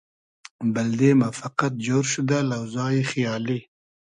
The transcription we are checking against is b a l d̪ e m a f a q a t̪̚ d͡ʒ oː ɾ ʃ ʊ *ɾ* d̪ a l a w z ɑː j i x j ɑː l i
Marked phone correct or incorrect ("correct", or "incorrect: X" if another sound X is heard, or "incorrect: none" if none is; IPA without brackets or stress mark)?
incorrect: none